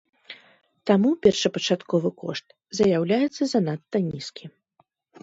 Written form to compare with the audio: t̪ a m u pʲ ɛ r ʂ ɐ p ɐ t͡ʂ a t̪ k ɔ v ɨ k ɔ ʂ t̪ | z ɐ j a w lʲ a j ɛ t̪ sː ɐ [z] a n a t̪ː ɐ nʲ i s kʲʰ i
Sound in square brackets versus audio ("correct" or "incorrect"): correct